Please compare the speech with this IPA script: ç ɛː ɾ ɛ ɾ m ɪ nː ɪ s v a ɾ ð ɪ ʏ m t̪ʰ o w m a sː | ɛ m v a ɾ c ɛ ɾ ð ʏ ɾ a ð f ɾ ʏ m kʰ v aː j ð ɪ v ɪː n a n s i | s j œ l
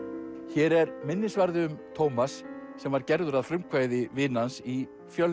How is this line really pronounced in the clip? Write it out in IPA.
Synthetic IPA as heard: ç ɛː ɾ ɛ ɾ m ɪ nː ɪ s v a ɾ ð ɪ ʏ m t̪ʰ o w m a sː | ɛ m v a ɾ c ɛ ɾ ð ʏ ɾ a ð f ɾ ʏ m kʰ v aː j ð ɪ v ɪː n a n s i | f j œ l